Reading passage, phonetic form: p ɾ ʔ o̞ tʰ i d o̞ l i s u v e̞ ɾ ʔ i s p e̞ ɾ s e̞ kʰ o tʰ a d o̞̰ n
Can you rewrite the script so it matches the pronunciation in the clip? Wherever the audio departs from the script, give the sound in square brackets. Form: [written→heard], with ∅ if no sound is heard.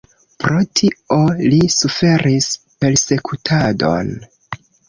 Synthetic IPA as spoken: p ɾ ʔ o̞ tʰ i [d→∅] o̞ l i s u [v→f] e̞ ɾ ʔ i s p e̞ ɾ s e̞ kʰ [o→u] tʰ a d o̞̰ n